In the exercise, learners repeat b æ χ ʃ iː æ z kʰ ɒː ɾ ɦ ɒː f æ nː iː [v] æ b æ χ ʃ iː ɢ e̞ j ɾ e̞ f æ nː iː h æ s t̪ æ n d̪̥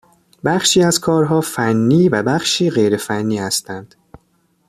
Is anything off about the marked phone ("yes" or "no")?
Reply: no